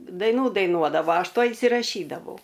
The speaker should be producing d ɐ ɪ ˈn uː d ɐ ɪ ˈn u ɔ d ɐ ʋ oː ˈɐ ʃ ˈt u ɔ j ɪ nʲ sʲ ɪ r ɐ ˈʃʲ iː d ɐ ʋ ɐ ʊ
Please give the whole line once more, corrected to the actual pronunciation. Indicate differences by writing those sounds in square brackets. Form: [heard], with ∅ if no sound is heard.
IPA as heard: d ɐ ɪ ˈn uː d ɐ ɪ ˈn u ɔ d ɐ ʋ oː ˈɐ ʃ ˈt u ɔ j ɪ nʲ sʲ ɪ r ɐ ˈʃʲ iː d ɐ ʋ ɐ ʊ